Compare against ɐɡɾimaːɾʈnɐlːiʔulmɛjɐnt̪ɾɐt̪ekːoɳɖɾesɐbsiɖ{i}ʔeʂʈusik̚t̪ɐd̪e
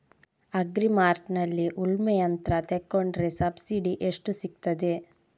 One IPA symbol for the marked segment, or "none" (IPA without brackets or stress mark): i